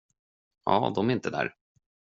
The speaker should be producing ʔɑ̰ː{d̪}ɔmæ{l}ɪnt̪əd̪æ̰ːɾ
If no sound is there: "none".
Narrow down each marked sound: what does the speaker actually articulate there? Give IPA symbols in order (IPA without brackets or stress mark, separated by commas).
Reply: d̪, ɾ